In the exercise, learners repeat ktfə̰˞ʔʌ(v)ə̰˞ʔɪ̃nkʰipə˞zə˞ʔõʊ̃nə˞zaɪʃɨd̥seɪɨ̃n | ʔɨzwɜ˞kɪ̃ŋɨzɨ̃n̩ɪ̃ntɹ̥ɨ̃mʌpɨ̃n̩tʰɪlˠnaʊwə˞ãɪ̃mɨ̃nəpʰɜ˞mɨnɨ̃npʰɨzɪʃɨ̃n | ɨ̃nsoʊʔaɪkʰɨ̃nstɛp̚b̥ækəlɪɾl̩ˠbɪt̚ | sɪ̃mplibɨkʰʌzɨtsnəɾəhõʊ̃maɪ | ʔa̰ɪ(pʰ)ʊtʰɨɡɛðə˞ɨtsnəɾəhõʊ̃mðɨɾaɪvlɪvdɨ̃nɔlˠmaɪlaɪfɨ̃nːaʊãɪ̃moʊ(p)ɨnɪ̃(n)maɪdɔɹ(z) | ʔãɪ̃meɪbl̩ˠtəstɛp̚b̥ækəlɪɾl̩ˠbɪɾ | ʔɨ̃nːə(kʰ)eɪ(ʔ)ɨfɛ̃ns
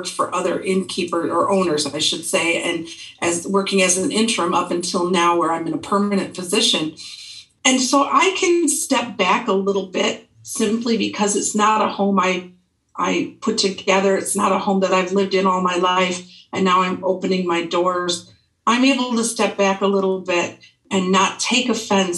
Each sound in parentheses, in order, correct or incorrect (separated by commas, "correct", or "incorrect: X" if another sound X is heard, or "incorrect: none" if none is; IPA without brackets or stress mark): incorrect: ð, correct, correct, incorrect: ŋ, correct, incorrect: tʰ, incorrect: k